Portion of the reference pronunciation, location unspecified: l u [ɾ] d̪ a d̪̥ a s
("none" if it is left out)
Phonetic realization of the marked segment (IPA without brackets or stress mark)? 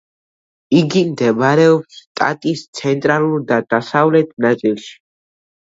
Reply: ɾ